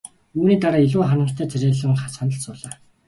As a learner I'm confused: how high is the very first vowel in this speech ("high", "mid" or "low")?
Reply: high